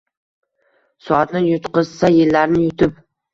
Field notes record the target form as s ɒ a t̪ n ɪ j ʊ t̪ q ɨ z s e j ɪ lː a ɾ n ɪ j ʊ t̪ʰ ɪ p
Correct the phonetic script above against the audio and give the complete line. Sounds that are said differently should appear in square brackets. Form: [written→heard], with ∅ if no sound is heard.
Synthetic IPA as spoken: s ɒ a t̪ n ɪ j ʊ t̪ q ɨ z s [e→a] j ɪ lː a ɾ n ɪ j ʊ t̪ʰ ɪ p